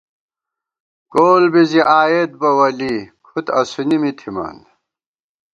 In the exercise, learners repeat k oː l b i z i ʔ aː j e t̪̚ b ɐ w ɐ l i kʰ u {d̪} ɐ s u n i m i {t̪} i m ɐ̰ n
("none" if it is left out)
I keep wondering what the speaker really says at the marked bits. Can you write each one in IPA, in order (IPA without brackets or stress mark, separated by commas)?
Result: t̪, t̪ʰ